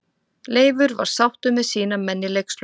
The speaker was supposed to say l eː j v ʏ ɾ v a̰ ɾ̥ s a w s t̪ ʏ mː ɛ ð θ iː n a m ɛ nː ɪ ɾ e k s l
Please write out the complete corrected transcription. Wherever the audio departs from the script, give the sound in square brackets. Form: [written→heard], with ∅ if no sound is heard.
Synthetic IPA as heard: l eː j v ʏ ɾ v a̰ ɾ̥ s a w [s→h] t̪ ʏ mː ɛ ð [θ→s] iː n a m ɛ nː ɪ [ɾ→l] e k s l